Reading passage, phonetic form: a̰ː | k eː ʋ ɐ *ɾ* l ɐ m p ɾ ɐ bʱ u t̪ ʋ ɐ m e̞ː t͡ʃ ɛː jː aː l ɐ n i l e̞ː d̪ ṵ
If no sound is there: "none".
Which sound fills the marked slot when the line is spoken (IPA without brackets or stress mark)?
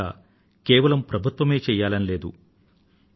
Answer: none